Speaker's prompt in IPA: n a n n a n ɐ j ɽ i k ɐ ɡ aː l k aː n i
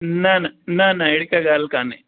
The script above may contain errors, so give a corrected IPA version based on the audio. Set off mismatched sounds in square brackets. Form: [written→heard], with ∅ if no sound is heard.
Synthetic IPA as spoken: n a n n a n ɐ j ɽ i k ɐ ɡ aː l k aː n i